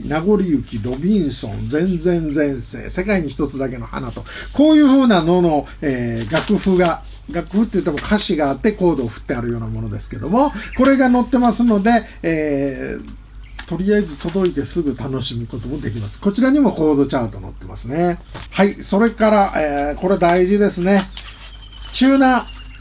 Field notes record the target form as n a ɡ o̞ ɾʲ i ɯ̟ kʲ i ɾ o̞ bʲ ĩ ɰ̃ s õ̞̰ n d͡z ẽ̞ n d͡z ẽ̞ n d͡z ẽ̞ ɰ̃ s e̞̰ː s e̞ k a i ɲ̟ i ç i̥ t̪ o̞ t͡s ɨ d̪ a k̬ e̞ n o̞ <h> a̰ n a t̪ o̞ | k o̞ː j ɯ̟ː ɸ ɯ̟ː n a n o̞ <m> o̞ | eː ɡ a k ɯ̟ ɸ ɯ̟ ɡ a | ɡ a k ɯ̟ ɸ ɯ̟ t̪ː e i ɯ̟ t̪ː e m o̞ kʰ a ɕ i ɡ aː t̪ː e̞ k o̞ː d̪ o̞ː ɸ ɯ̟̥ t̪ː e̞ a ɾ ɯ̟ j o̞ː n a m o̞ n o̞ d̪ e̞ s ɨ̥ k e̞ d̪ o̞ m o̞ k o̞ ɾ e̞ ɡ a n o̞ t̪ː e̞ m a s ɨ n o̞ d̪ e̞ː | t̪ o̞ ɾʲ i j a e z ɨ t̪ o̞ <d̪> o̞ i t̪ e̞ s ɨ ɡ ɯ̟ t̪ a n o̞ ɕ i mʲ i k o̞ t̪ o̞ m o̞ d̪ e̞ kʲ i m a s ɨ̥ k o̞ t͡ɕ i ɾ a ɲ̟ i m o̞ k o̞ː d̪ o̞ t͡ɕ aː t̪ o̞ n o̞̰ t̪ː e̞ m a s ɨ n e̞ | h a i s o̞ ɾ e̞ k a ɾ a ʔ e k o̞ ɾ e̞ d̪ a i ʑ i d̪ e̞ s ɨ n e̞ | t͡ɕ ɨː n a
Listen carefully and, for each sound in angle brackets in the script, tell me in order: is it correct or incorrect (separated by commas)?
correct, incorrect, correct